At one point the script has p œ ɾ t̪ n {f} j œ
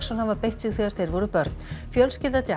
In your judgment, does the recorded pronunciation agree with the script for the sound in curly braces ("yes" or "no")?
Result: yes